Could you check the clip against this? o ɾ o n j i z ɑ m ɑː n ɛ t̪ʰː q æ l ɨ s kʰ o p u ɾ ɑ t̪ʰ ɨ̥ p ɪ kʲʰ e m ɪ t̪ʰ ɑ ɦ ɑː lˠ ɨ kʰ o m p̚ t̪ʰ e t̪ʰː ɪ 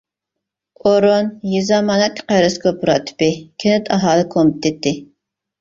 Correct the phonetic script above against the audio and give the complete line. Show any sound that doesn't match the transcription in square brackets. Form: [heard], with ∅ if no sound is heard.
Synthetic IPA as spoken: o ɾ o n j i z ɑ m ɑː n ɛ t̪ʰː q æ [ɾ] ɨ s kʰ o p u ɾ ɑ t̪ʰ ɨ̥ p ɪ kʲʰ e [n] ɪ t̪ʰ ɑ ɦ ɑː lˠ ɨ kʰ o m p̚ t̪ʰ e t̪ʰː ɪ